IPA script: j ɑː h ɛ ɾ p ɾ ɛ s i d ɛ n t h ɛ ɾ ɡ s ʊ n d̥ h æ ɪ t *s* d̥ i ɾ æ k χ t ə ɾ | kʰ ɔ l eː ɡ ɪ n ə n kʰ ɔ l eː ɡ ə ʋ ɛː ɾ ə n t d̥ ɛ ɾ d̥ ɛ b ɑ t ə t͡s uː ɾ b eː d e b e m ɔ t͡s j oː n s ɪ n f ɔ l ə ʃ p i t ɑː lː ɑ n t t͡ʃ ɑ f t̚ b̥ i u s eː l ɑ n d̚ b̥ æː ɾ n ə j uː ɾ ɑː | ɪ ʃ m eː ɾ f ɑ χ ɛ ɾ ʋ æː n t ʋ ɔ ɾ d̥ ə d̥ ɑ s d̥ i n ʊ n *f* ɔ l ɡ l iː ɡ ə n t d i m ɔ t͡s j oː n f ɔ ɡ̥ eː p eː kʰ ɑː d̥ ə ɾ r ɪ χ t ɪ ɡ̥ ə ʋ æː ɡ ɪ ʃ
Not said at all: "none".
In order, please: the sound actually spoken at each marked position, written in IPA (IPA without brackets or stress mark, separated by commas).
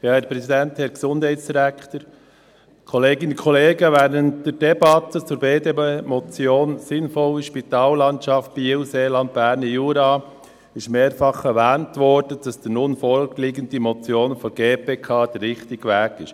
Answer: s, f